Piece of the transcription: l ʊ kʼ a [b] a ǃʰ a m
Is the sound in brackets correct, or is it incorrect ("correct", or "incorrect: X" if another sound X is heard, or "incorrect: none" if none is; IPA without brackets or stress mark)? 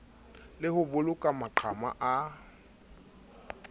incorrect: m